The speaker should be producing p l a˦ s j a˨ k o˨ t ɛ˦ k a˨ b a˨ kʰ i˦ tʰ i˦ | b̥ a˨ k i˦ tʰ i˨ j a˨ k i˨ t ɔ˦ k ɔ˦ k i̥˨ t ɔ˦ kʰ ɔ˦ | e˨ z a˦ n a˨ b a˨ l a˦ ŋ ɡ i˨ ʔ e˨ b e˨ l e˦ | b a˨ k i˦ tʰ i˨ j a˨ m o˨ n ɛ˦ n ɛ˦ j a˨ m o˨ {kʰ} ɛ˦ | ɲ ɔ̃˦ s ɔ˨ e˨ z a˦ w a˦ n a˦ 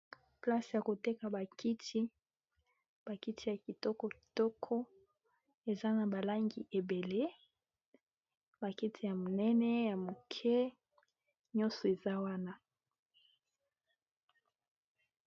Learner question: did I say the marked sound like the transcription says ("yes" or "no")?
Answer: yes